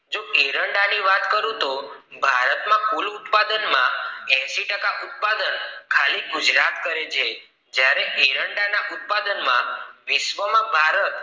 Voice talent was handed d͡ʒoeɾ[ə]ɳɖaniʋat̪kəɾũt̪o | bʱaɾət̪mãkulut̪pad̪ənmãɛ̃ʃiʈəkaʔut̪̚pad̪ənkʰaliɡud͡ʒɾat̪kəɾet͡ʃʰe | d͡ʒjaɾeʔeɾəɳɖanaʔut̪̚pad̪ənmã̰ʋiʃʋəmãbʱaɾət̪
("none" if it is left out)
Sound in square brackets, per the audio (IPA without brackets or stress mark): ə